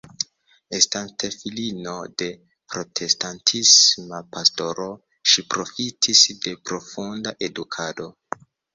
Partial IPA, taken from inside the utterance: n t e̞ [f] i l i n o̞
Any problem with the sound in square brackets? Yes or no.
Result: no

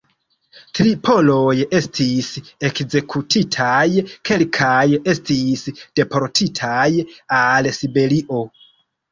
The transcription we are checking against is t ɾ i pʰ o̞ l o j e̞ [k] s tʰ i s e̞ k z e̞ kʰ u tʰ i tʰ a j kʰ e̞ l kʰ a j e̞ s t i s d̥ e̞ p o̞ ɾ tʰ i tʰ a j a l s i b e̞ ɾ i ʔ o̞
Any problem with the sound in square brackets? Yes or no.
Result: yes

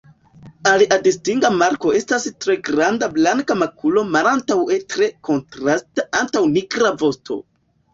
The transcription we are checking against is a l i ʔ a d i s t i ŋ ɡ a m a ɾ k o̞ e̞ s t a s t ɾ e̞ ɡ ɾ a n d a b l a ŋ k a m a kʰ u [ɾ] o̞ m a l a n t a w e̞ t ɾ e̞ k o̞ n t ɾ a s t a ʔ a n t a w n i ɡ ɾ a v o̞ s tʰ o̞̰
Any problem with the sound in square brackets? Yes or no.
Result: yes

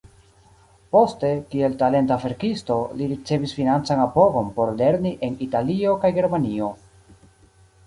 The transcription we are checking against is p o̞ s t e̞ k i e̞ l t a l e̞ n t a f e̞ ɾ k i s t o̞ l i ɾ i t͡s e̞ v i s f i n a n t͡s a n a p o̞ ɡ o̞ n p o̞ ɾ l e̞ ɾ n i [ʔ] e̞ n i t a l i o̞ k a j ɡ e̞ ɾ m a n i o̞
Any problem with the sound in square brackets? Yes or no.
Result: no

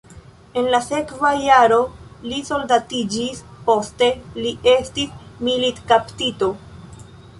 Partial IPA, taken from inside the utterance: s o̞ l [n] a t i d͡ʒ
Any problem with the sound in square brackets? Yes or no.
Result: yes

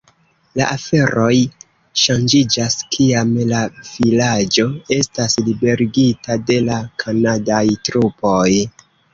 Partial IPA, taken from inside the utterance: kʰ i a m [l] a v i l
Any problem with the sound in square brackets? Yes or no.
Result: no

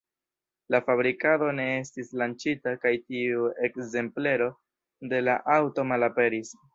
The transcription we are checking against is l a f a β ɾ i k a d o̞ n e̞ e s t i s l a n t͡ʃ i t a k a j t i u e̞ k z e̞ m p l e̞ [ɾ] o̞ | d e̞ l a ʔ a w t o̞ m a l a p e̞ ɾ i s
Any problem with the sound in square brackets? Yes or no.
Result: no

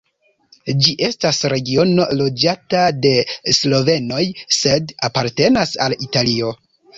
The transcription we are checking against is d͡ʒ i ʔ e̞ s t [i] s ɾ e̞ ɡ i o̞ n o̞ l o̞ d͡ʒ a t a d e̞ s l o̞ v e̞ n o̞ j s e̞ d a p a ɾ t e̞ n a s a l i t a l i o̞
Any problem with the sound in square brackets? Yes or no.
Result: yes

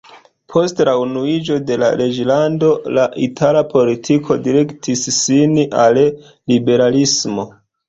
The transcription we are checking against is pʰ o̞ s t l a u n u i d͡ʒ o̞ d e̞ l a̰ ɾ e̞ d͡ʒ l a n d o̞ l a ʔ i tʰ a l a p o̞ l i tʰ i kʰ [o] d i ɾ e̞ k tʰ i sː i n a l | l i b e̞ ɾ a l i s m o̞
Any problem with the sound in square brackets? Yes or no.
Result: no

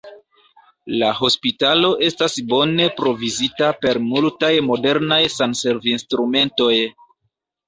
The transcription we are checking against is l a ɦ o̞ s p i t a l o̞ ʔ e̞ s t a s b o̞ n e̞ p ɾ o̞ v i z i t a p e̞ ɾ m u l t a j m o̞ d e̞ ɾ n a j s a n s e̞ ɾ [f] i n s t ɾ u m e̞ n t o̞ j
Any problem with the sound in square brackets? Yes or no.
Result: yes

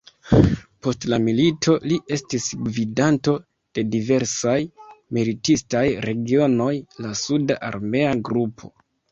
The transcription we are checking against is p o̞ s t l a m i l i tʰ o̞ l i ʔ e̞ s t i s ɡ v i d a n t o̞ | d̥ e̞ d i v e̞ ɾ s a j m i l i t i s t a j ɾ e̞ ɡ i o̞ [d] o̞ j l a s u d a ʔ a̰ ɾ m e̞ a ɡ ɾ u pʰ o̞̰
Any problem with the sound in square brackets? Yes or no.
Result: yes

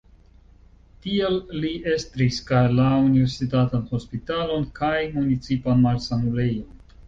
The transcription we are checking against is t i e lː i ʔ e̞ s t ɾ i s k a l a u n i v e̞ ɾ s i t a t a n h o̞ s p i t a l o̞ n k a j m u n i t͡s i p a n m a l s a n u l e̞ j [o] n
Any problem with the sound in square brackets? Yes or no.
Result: no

